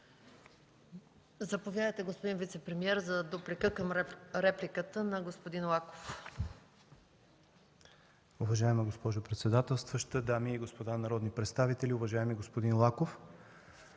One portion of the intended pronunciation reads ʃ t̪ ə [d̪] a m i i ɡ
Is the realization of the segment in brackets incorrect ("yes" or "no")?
no